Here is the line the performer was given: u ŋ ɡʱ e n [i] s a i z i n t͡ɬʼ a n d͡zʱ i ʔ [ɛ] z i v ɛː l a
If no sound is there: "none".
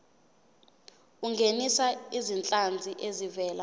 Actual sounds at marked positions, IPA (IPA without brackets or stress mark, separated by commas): i, e